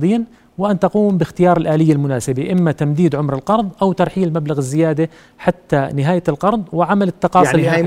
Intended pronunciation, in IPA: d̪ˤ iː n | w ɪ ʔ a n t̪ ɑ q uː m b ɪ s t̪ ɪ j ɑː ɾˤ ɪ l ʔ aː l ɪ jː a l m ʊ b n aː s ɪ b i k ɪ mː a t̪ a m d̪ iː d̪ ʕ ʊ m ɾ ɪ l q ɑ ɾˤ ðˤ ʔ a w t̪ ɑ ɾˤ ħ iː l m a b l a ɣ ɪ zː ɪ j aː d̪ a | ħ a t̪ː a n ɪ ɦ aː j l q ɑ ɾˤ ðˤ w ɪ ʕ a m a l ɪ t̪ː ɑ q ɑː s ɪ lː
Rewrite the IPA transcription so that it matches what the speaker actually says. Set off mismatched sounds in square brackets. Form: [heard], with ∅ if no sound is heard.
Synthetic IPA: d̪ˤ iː n | w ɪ ʔ a n t̪ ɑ q uː m b ɪ [x] t̪ ɪ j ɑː ɾˤ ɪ l ʔ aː l ɪ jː a l m ʊ [∅] n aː s ɪ b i [ʔ] ɪ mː a t̪ a m d̪ iː d̪ ʕ ʊ m ɾ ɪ l q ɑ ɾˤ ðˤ ʔ a w t̪ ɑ ɾˤ ħ iː l m a b l a ɣ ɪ zː ɪ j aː d̪ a | ħ a t̪ː a n ɪ ɦ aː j l q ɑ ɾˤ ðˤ w ɪ ʕ a m a l ɪ t̪ː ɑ q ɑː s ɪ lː